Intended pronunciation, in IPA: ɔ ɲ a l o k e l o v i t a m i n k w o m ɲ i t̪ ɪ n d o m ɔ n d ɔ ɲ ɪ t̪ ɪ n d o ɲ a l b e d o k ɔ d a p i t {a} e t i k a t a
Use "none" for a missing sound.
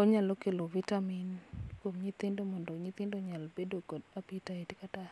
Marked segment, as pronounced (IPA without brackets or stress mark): a